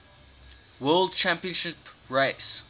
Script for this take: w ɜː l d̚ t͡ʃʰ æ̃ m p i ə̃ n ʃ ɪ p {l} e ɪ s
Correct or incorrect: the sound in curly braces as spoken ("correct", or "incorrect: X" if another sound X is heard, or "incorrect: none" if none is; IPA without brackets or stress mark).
incorrect: ɹ